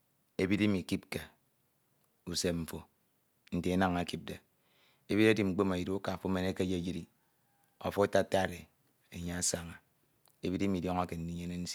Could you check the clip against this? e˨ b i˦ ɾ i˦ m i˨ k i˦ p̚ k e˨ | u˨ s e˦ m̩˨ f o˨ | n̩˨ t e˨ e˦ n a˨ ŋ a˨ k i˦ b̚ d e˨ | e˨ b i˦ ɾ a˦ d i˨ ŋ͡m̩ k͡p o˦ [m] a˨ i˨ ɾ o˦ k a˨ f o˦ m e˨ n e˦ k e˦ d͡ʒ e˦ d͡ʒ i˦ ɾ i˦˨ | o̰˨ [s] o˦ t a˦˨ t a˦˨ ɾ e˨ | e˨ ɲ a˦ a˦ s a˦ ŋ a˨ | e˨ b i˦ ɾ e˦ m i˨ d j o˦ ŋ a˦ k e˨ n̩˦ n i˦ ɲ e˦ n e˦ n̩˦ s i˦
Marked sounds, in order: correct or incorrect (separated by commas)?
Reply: correct, incorrect